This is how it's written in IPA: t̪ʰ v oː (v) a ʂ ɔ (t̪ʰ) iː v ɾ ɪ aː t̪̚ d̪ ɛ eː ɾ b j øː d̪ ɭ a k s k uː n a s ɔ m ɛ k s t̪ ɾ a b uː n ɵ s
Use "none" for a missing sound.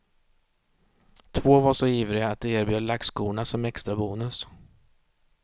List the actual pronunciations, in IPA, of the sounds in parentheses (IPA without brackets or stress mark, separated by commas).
v, none